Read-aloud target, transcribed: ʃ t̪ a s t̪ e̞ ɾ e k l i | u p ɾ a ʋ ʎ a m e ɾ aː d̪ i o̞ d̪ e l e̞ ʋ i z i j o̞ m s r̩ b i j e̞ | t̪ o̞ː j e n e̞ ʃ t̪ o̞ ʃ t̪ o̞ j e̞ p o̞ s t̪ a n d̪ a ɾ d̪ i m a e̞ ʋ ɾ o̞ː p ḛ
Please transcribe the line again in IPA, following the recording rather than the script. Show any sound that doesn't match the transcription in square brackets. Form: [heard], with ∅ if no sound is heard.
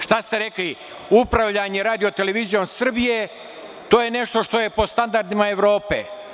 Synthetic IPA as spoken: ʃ t̪ a s t̪ e̞ ɾ e k l i | u p ɾ a ʋ ʎ a [ɲ] e ɾ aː d̪ i o̞ [t̪] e l e̞ ʋ i z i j o̞ m s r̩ b i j e̞ | t̪ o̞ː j e n e̞ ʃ t̪ o̞ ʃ t̪ o̞ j e̞ p o̞ s t̪ a n d̪ a ɾ d̪ i m a e̞ ʋ ɾ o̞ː p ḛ